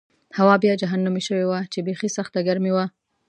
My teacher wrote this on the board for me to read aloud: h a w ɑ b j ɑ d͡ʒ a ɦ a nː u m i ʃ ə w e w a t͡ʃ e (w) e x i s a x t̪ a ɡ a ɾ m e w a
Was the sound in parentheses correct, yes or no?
no